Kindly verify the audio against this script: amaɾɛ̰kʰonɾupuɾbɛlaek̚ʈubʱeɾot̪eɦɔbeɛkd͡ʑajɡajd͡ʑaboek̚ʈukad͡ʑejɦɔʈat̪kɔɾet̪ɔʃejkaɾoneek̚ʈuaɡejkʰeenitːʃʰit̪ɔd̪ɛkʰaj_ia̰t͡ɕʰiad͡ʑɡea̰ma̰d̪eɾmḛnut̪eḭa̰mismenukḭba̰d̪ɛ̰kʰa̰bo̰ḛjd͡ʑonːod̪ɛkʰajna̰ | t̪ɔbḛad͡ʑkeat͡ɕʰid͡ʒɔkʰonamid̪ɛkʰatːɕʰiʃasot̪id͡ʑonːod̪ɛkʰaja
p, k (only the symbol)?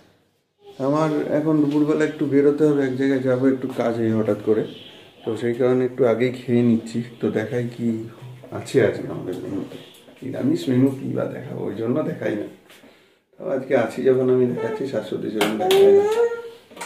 k